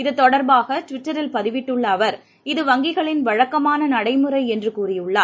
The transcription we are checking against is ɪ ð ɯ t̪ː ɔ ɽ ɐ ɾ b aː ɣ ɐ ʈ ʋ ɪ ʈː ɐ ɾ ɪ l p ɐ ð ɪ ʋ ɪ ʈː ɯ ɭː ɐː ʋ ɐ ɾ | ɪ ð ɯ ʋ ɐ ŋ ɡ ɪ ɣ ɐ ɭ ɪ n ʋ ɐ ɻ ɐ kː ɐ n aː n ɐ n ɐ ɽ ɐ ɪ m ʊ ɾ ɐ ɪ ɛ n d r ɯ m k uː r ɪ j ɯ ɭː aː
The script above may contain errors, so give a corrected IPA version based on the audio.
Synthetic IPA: ɪ ð ɯ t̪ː ɔ ɽ ɐ ɾ b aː ɣ ɐ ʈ ʋ ɪ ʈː ɐ ɾ ɪ l p ɐ ð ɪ ʋ ɪ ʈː ɯ ɭː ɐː ʋ ɐ ɾ | ɪ ð ɯ ʋ ɐ ŋ ɡ ɪ ɣ ɐ ɭ ɪ n ʋ ɐ ɻ ɐ kː ɐ m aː n ɐ n ɐ ɽ ɐ ɪ m ɯ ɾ ɐ ɪ ɛ n d r ɯ k uː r ɪ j ɯ ɭː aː